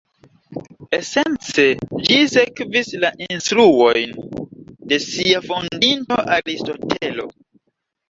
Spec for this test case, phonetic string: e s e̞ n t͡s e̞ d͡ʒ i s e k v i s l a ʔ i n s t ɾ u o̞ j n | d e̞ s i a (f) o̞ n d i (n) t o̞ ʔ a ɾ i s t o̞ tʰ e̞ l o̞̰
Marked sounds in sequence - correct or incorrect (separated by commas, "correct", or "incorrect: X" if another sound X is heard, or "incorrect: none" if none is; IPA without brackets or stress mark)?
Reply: correct, correct